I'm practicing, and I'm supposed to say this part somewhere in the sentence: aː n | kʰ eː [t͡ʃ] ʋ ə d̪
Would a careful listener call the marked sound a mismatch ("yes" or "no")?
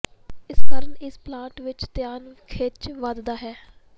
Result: no